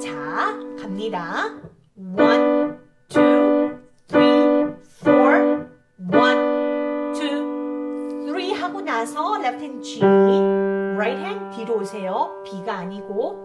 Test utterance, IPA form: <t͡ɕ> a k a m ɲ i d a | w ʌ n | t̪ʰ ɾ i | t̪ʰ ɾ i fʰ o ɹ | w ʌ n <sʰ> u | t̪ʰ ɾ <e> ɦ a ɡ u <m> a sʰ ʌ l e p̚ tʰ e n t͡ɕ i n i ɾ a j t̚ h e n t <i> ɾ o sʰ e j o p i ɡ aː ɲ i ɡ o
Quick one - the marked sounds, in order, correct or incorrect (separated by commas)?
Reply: correct, incorrect, incorrect, incorrect, correct